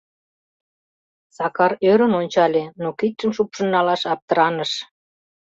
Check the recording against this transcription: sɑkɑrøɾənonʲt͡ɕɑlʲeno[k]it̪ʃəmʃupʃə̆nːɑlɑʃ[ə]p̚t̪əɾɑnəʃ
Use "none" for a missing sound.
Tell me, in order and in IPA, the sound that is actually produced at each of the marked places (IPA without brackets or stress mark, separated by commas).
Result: k, ɑ